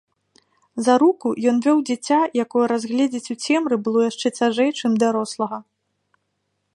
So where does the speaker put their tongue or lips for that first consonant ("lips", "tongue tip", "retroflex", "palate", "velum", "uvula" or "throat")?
tongue tip